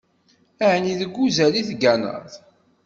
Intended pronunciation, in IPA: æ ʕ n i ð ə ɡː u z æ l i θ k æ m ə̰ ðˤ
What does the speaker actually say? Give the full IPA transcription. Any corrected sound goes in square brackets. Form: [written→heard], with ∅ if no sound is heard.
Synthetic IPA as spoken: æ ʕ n i ð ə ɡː u z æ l i θ [k→ɡ] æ [m→n] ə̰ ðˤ